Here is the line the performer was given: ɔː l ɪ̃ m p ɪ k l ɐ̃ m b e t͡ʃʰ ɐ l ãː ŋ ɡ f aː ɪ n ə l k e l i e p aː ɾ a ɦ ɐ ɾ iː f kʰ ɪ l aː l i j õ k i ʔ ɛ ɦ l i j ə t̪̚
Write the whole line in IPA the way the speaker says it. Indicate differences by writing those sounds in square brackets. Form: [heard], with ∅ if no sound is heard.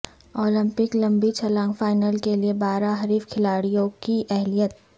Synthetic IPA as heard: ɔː l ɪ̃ m p ɪ k l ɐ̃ m b [i] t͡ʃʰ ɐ l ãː ŋ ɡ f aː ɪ n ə l k e l i e [b] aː ɾ a ɦ ɐ ɾ iː f kʰ ɪ l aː [ɽ] i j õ k i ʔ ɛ ɦ l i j ə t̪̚